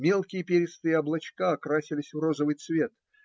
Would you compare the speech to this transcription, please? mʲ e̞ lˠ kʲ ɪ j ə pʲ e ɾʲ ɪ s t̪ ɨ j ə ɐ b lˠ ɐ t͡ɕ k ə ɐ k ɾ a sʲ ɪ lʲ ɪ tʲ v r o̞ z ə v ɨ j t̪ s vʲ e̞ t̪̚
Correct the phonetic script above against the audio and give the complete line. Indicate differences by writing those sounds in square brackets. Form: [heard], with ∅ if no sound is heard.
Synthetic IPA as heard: mʲ e̞ lˠ kʲ ɪ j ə pʲ e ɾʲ ɪ s t̪ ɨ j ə ɐ b lˠ ɐ t͡ɕ k [a] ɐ k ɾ a sʲ ɪ lʲ ɪ [sʲ] v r o̞ z ə v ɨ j t̪ s vʲ e̞ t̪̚